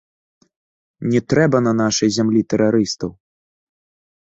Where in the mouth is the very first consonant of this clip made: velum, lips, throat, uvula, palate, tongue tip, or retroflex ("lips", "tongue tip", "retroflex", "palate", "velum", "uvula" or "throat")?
tongue tip